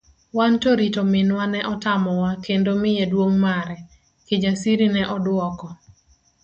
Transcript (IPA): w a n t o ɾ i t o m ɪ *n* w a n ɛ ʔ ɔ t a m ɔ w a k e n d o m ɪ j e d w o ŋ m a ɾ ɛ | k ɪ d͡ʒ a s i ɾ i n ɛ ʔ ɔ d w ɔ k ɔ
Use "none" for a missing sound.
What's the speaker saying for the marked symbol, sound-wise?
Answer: n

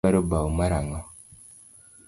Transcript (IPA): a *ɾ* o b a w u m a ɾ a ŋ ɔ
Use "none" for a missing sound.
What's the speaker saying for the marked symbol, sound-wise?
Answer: ɾ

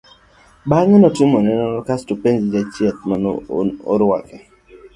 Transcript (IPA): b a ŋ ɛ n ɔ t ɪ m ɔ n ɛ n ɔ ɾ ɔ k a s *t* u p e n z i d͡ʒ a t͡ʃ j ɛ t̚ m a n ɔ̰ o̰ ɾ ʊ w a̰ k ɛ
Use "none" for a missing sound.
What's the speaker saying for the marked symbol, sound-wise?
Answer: t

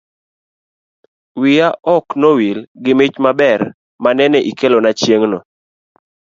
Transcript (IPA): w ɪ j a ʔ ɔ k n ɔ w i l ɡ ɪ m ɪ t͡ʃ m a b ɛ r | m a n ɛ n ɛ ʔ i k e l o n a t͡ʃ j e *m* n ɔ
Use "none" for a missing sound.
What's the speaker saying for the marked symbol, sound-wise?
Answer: ŋ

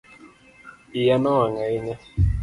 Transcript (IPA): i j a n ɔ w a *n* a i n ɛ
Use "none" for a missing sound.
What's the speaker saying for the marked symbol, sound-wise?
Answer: ŋ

